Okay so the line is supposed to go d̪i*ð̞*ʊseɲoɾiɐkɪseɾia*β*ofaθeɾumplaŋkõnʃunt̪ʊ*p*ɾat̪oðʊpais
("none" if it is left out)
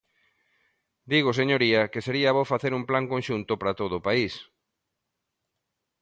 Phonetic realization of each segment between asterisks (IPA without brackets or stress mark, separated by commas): ɣ̞, β, p